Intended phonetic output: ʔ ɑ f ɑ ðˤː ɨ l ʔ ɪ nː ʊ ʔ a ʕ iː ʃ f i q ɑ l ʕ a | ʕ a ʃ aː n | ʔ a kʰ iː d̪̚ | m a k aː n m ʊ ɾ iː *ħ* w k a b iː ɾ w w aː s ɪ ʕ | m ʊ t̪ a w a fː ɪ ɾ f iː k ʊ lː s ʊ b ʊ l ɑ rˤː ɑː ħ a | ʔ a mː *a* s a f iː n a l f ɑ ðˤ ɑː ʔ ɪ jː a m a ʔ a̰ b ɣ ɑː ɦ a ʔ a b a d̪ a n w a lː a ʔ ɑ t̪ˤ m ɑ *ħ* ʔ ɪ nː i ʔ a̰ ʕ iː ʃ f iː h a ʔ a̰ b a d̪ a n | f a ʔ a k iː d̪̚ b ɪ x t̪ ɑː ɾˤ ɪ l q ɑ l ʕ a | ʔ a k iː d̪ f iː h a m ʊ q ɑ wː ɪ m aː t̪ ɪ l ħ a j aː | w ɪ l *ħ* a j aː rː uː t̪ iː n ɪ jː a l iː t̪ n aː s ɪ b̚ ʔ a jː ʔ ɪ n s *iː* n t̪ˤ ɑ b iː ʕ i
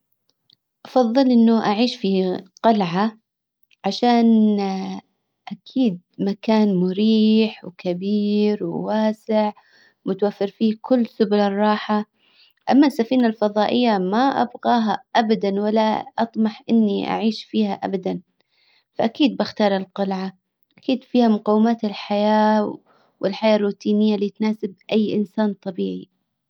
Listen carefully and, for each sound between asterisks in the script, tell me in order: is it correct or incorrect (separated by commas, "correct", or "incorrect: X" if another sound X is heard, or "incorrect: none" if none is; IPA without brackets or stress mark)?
correct, correct, correct, correct, incorrect: aː